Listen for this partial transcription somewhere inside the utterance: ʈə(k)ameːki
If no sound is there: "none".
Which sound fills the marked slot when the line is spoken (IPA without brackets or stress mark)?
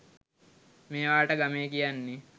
ɡ